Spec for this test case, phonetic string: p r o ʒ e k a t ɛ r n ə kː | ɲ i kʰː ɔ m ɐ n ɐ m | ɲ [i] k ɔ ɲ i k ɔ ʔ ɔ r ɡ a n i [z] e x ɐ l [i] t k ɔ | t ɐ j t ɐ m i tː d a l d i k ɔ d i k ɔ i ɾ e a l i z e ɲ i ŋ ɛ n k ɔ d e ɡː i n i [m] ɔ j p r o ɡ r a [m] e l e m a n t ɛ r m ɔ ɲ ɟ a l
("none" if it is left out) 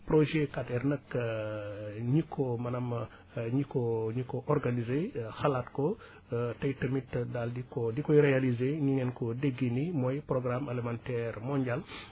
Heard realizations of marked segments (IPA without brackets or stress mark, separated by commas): i, z, a, m, m